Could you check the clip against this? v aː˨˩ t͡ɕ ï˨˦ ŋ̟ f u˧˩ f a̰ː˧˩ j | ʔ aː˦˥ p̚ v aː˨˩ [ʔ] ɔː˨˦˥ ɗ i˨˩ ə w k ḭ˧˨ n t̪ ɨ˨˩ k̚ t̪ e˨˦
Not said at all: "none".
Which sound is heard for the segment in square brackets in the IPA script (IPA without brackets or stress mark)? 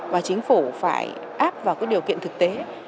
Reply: k